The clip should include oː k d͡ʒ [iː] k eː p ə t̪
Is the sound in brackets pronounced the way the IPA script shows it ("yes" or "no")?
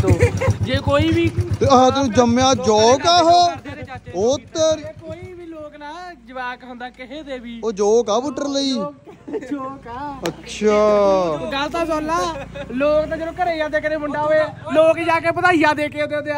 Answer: no